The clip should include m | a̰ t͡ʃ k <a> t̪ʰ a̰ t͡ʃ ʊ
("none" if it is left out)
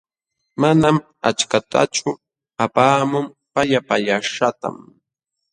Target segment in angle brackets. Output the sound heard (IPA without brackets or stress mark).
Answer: a